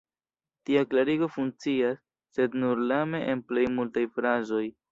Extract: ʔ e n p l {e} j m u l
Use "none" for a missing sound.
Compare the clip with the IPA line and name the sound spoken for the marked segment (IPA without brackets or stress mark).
e